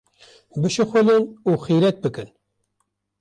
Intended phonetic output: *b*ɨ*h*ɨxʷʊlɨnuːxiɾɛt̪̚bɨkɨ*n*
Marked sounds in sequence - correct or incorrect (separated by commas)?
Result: correct, incorrect, correct